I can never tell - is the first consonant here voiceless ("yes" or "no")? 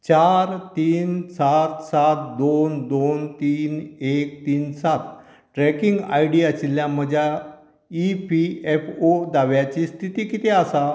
yes